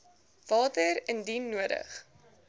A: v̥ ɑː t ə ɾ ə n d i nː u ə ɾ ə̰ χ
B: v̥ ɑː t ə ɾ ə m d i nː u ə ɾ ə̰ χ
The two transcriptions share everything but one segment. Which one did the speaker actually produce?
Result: A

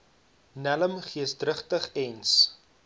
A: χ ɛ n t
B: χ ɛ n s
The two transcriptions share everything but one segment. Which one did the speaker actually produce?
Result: B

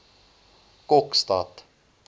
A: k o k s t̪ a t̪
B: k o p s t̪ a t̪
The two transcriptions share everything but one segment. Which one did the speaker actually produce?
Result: A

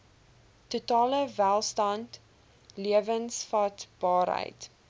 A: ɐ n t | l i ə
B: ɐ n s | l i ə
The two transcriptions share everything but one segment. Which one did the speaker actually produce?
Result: A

